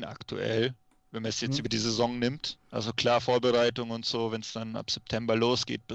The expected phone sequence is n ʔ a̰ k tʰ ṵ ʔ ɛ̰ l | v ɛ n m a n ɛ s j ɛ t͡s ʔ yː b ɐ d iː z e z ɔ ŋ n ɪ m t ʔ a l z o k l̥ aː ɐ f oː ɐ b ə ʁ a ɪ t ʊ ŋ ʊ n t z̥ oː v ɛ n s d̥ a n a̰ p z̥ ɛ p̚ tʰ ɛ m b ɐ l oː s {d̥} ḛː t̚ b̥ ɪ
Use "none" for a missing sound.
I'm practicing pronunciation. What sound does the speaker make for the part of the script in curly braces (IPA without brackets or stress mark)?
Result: ɡ̥